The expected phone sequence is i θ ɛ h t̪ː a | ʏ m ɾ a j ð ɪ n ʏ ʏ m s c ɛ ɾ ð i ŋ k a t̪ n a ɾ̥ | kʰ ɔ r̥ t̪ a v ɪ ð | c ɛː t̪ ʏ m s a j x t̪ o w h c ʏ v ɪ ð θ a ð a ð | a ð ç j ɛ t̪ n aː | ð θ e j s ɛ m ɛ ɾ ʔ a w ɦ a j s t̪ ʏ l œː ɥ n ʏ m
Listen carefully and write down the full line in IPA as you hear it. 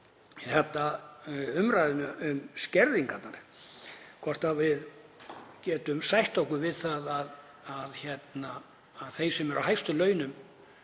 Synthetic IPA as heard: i θ ɛ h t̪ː a | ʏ m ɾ a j ð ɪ n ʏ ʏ m s c ɛ ɾ ð i ŋ k a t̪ n a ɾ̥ | kʰ ɔ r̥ t̪ a v ɪ ð | c ɛː t̪ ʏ m s a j h t̪ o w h k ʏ v ɪ ð θ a ð a ð | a ð ç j ɛ t̪ n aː | ð θ e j s ɛ m ɛ ɾ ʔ a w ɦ a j s t̪ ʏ l œː ɥ n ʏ m